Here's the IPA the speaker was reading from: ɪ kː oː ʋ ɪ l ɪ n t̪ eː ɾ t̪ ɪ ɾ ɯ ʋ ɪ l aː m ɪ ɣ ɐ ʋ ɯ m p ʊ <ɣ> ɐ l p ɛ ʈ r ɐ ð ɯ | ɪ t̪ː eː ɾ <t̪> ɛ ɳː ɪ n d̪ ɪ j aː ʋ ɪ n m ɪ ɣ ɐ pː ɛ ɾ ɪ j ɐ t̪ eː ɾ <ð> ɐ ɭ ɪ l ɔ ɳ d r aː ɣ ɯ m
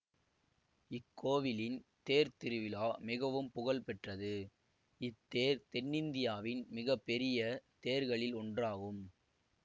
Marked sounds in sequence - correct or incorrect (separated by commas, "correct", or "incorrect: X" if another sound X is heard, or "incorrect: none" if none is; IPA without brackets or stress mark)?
correct, correct, incorrect: ɣ